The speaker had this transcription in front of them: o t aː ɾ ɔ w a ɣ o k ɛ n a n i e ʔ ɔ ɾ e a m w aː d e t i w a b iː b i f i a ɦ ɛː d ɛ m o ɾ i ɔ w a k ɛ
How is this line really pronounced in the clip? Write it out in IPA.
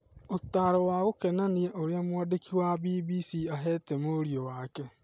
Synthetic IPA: o t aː ɾ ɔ w a ɣ o k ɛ n a n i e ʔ o ɾ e a m w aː d e k i w a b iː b i s i a ɦ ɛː t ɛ m o ɾ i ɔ w a k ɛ